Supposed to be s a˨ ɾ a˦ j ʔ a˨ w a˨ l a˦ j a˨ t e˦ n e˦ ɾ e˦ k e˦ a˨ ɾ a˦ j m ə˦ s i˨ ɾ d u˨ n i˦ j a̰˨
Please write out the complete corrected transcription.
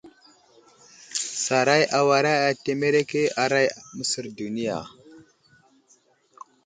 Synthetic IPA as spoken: s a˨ ɾ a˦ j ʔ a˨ w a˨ ɾ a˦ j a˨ t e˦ m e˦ ɾ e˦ k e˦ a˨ ɾ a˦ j m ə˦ s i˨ ɾ d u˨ n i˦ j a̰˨